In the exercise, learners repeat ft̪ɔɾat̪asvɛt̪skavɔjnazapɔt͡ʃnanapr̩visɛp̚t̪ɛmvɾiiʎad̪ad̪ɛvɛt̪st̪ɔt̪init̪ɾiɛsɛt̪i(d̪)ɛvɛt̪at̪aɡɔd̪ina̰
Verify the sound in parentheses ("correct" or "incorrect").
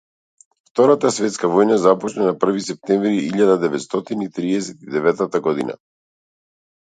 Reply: correct